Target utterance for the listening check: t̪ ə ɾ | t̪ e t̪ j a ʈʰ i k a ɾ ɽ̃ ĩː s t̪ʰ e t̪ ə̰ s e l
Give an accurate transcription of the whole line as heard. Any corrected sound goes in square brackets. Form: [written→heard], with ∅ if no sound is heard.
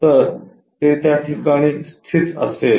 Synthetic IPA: t̪ ə ɾ | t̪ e t̪ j a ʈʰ i k a [ɾ→∅] ɽ̃ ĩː s t̪ʰ [e→i] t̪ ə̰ s e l